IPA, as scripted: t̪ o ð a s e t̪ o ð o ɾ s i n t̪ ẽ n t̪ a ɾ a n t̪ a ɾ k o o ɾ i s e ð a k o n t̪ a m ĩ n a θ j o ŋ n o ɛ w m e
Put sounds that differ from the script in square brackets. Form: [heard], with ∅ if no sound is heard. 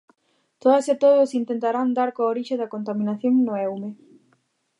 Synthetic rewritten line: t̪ o ð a s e t̪ o ð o [∅] s i n t̪ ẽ n t̪ a ɾ a n [d̪] a ɾ k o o ɾ i [ʃ] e ð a k o n t̪ a m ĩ n a θ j o ŋ n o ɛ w m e